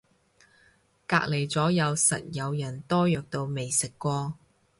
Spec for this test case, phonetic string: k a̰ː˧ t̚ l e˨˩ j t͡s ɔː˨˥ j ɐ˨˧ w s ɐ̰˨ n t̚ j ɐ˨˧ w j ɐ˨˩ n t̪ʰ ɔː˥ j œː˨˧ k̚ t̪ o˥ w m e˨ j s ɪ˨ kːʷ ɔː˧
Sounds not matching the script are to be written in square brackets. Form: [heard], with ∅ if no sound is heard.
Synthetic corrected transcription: k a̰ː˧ [k̚] l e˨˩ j t͡s ɔː˨˥ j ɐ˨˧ w s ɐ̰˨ [∅] t̚ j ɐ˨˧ w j ɐ˨˩ n [t̪] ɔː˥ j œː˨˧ k̚ t̪ [o˧] w m e˨ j s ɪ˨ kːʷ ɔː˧